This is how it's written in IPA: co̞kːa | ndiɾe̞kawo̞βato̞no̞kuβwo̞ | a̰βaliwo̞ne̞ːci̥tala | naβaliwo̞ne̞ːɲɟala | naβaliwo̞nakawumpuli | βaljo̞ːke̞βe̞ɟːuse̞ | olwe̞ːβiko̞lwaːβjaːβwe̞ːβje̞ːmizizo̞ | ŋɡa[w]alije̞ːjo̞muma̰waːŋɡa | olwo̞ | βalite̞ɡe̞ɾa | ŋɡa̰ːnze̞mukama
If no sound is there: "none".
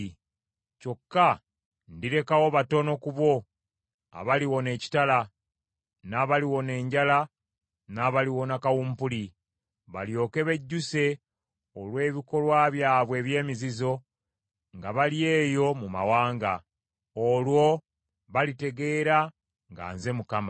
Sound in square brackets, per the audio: β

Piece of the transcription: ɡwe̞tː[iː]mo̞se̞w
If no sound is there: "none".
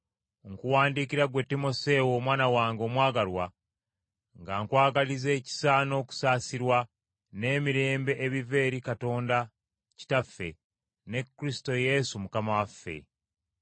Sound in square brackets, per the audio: i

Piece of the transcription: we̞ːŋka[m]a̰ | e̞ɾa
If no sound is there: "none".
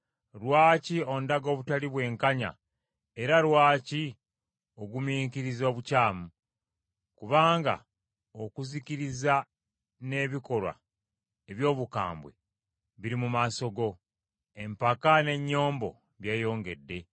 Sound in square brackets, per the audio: ɲ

